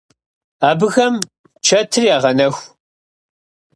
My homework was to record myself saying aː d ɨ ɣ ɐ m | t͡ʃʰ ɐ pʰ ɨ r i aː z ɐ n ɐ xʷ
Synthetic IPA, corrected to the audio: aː b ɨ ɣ ɐ m | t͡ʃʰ ɐ tʰ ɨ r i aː ʁ ɐ n ɐ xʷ

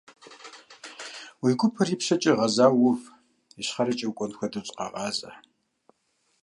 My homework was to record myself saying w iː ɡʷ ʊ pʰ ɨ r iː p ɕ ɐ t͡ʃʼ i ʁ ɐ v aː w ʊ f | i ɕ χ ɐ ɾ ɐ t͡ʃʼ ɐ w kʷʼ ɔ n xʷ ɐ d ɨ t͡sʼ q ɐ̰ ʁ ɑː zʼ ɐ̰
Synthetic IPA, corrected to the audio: w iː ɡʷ ʊ pʰ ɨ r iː p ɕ ɐ t͡ʃʼ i ʁ ɐ z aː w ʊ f | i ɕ χ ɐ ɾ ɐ t͡ʃʼ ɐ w kʷʼ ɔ n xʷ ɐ d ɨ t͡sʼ q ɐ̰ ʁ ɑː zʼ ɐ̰

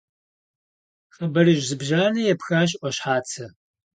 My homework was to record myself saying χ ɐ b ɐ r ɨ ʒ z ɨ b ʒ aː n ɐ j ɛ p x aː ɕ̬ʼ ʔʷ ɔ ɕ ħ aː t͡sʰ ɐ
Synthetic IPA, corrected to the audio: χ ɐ b ɐ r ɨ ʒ z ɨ b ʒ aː n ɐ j ɛ p x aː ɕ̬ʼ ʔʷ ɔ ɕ ħ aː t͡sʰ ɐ

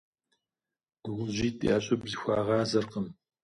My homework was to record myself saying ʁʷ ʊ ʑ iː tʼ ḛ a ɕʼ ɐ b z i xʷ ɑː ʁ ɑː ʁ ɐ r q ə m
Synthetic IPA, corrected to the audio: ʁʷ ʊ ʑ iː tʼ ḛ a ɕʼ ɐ b z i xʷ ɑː ʁ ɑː z ɐ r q ə m

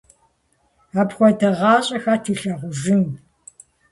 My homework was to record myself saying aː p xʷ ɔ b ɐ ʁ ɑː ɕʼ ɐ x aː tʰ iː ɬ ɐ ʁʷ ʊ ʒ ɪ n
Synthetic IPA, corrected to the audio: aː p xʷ ɔ d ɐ ʁ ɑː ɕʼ ɐ x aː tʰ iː ɬ ɐ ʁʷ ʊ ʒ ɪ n

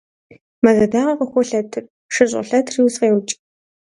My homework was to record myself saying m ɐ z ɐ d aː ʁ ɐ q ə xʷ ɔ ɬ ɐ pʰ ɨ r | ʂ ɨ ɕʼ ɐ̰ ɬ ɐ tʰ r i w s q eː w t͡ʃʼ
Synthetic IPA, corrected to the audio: m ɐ z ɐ d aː ʁ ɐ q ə xʷ ɔ ɬ ɐ tʰ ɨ r | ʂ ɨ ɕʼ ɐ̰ ɬ ɐ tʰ r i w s q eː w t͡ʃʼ

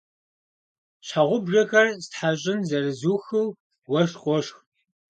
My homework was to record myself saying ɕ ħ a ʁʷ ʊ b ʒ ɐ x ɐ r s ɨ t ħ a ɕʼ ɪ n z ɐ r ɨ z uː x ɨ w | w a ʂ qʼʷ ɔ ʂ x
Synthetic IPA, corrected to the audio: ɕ ħ a ʁʷ ʊ b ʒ ɐ x ɐ r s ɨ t ħ a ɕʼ ɪ n z ɐ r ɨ z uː x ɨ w | w ɐ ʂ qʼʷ ɔ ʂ x

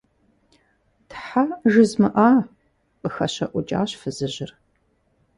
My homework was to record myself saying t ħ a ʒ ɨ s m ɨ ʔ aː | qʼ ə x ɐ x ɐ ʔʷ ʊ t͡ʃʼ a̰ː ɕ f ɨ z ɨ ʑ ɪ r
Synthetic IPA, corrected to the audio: t ħ a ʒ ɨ z m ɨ ʔ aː | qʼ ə x ɐ ɕ ɐ ʔʷ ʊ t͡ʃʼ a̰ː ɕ f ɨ z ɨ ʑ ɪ r

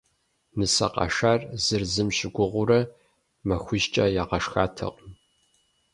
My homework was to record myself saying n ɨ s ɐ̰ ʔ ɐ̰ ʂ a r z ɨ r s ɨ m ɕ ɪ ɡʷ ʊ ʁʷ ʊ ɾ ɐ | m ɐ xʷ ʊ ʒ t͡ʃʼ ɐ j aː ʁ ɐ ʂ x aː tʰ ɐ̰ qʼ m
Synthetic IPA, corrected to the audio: n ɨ s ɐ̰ q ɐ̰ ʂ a r z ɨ r z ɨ m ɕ ɪ ɡʷ ʊ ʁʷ ʊ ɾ ɐ | m ɐ xʷ ʊ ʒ t͡ʃʼ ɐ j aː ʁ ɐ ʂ x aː tʰ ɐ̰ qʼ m

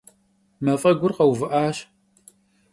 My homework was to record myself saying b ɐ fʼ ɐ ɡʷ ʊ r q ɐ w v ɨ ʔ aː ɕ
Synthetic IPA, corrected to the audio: m ɐ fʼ ɐ ɡʷ ʊ r q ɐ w v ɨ ʔ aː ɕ

